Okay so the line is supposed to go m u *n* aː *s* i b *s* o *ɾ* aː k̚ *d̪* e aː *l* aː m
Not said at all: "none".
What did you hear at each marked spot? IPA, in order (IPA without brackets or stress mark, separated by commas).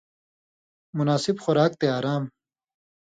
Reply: n, s, x, ɾ, t̪, ɾ